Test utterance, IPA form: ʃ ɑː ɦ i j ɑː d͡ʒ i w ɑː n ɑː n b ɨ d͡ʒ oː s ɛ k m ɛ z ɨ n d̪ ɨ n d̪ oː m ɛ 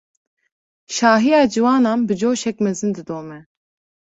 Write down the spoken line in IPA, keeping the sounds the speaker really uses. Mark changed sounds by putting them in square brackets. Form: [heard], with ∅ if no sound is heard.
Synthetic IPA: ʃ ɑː ɦ i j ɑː d͡ʒ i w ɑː n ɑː n b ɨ d͡ʒ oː [ʃ] ɛ k m ɛ z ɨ n d̪ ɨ [∅] d̪ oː m ɛ